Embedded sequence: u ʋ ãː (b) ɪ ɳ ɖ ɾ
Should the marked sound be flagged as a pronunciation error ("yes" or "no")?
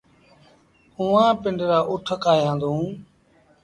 yes